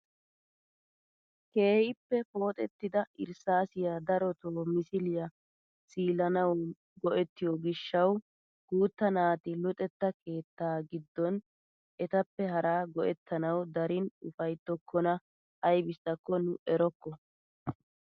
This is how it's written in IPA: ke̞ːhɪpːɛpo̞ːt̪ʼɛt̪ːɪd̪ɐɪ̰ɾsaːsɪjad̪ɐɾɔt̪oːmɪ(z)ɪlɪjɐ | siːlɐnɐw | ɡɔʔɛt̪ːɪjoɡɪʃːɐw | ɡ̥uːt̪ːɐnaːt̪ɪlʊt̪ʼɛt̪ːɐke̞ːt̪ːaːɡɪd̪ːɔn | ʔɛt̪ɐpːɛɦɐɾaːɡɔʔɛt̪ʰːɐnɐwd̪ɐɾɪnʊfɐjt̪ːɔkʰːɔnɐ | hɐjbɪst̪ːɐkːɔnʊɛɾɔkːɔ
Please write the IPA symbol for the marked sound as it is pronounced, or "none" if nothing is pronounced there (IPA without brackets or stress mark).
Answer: s